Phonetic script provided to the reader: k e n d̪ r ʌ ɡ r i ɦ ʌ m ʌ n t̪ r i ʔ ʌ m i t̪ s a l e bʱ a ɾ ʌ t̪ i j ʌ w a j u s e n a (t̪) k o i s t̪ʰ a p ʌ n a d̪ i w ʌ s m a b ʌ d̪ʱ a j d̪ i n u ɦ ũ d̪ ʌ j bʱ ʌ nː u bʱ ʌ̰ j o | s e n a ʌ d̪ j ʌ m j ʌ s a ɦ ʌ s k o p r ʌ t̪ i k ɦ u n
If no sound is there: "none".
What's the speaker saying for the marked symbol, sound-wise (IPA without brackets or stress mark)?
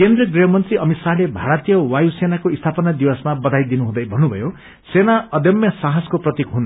none